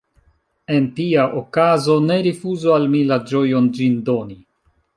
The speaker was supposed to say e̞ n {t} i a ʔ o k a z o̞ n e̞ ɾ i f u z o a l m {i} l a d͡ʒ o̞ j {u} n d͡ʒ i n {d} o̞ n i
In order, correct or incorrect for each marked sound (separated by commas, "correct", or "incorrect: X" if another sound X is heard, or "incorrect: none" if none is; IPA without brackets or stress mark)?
correct, correct, incorrect: o, correct